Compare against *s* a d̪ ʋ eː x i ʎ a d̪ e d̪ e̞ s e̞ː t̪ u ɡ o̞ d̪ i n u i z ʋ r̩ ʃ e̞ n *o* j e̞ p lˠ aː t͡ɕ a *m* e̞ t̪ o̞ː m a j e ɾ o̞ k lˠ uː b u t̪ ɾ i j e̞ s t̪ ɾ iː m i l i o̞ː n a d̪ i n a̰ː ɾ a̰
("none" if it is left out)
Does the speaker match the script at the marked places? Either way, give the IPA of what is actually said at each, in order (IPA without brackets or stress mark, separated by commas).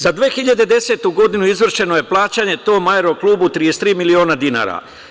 z, o, ɲ